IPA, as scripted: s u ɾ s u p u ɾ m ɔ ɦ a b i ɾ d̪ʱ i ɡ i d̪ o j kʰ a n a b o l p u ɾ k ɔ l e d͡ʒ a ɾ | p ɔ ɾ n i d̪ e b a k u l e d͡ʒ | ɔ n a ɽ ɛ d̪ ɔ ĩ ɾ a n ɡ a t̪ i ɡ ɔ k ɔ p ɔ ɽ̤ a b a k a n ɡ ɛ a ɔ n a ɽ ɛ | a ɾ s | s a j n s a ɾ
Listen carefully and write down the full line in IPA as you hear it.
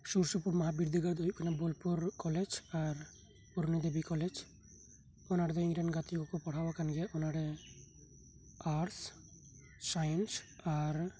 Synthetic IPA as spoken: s u ɾ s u p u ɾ m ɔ ɦ a b i ɾ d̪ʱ i ɡ a d̪ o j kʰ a n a b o l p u ɾ k ɔ l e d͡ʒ a ɾ | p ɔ ɾ n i d̪ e b i k ɔ l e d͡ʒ | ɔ n a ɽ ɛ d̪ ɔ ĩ ɾ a n ɡ a t̪ i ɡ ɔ k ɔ p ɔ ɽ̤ a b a k a n ɡ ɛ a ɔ n a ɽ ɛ | a ɾ s | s a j n s a ɾ